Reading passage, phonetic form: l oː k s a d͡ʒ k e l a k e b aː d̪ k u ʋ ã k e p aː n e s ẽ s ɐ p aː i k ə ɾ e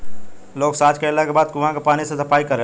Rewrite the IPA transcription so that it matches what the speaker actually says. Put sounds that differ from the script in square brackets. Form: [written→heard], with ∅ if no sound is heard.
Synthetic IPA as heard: l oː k s a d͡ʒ k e l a k e b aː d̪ k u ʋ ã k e p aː n [e→i] s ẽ s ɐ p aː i k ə ɾ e